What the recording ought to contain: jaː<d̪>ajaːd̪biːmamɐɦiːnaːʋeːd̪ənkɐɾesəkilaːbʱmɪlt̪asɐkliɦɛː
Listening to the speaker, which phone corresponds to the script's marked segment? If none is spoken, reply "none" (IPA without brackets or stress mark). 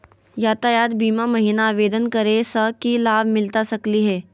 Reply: t̪